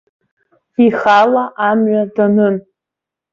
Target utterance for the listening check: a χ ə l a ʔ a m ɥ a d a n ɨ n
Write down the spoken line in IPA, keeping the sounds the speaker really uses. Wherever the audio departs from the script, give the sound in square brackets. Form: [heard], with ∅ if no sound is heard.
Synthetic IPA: [i] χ [a] l a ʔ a m ɥ a d a n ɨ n